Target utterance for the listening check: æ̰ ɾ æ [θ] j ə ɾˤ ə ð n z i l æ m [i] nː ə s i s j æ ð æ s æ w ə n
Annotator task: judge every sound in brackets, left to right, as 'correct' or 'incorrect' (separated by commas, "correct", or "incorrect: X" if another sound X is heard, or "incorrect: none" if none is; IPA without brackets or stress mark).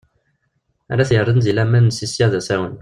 correct, incorrect: æ